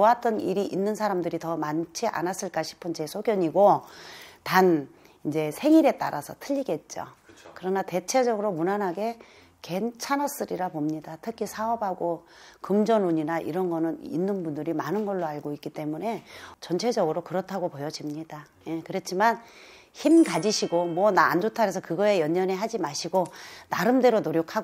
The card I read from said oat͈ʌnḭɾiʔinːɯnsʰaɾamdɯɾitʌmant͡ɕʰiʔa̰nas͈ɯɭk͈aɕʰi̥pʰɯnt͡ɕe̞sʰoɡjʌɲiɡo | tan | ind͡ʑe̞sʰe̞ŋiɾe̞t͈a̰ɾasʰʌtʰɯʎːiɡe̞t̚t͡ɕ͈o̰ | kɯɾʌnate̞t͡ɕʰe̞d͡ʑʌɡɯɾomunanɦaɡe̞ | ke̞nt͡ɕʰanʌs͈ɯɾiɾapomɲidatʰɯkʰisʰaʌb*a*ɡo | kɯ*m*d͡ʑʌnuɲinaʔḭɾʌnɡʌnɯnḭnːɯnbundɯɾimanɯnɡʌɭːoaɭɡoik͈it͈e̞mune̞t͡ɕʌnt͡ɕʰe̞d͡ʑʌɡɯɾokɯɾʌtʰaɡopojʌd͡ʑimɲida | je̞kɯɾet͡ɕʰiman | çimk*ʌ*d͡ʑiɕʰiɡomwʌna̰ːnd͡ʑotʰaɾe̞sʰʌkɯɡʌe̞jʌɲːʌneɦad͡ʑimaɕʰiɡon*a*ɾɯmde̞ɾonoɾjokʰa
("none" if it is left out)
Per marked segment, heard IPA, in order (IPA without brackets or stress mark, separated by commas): a, m, a, a